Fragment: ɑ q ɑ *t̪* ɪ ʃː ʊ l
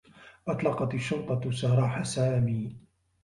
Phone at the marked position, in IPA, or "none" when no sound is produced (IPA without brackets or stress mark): t̪